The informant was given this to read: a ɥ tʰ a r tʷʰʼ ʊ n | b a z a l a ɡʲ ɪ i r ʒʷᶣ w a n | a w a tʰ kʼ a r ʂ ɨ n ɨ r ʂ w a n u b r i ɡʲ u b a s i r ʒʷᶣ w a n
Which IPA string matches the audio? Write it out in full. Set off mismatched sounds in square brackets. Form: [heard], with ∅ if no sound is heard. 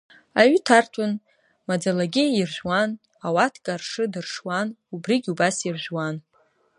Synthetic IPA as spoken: a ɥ tʰ a r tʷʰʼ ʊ n | [m] a [d͡z] a l a ɡʲ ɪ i r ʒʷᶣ w a n | a w a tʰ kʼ a r ʂ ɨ [d] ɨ r ʂ w a n u b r i ɡʲ u b a s i r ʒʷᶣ w a n

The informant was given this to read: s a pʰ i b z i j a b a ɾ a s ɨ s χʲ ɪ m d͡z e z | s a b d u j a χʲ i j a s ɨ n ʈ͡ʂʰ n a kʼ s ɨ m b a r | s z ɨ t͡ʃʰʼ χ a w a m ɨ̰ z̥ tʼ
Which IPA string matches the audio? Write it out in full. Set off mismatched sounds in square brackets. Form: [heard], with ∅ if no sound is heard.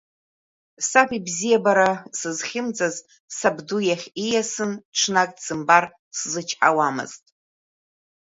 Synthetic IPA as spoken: s a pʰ i b z i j a b a ɾ a s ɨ [z] χʲ ɪ m d͡z [a] z | s a b d u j a χʲ i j a s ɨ n ʈ͡ʂʰ n a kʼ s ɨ m b a r | s z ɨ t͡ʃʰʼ [ħ] a w a m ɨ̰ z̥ tʼ

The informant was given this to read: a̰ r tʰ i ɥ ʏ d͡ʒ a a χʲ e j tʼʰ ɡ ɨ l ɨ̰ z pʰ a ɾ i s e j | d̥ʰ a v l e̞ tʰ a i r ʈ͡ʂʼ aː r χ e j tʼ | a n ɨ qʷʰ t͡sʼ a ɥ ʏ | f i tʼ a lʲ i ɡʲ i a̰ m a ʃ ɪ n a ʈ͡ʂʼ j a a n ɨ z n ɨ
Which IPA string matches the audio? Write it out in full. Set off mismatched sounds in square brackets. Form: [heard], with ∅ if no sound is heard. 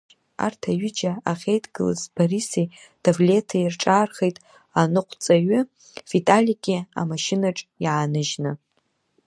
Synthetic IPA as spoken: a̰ r tʰ [a] ɥ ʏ d͡ʒ a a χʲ e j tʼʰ ɡ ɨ l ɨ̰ z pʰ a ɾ i s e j | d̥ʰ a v l e̞ tʰ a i r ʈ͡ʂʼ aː r χ e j tʼ | a n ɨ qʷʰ t͡sʼ a ɥ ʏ | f i tʼ a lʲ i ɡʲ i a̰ m a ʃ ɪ n a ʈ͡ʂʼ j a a n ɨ [ʒ] n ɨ

